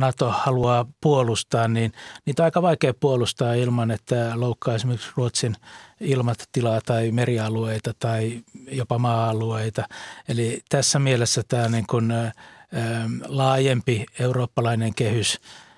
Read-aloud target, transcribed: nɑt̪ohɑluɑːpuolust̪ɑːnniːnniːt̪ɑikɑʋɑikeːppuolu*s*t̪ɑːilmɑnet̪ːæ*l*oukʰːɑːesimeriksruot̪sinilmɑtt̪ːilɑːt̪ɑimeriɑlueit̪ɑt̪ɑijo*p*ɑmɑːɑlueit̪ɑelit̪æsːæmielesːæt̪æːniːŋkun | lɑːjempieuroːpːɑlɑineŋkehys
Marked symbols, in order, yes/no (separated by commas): yes, yes, yes